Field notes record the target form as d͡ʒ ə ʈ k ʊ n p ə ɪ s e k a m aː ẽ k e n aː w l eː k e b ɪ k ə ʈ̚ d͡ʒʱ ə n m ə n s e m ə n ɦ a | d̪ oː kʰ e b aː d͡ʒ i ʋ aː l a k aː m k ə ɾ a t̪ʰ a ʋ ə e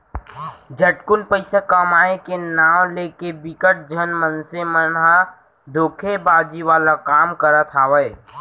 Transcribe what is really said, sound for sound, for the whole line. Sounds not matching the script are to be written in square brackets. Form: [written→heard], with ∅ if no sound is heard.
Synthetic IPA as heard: d͡ʒ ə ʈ k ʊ n p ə ɪ s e k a m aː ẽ k e n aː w l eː k e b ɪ k ə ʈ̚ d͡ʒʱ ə n m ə n s e m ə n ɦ a | d̪ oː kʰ e b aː d͡ʒ i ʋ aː l a k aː m k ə ɾ a t̪ʰ a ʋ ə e